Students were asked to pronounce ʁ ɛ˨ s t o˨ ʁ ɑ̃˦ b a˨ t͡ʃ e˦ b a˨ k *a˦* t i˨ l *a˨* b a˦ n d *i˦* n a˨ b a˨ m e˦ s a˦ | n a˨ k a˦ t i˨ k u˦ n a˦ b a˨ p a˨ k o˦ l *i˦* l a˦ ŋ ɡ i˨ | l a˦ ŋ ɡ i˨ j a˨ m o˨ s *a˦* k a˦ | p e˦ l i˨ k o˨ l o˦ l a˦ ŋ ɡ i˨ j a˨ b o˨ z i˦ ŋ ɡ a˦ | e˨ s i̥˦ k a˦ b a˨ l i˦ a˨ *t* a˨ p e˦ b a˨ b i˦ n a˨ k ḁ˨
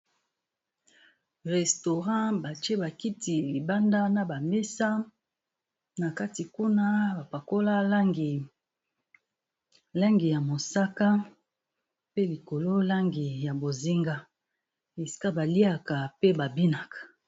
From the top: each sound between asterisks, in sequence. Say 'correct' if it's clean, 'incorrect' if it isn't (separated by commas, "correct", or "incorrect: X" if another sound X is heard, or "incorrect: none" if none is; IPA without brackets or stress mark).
incorrect: i˦, incorrect: i˨, incorrect: a˦, incorrect: a˦, correct, incorrect: k